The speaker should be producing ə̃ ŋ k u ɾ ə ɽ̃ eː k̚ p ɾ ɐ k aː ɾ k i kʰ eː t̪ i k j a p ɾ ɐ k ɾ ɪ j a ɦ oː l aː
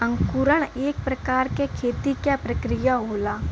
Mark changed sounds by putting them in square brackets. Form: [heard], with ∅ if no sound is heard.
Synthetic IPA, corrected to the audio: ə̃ ŋ k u ɾ ə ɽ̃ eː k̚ p ɾ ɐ k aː ɾ k [e] kʰ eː t̪ i k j a p ɾ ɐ k ɾ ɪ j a ɦ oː l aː